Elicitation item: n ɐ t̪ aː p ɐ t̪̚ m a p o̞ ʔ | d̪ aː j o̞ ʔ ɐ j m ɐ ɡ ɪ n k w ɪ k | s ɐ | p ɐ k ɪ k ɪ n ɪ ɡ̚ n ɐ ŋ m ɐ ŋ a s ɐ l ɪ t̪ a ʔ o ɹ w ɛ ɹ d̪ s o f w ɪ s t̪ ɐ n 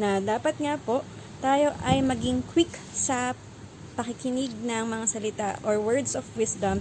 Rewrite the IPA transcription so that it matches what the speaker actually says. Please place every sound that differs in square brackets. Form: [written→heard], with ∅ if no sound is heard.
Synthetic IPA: n ɐ [t̪→d̪] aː p ɐ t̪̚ [m→ŋ] a p o̞ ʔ | [d̪→t̪] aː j o̞ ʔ ɐ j m ɐ ɡ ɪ [n→ŋ] k w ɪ k | s ɐ | p ɐ k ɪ k ɪ n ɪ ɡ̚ n ɐ ŋ m ɐ ŋ a s ɐ l ɪ t̪ a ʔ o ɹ w ɛ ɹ d̪ s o f w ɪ s [t̪→d̪] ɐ [n→m]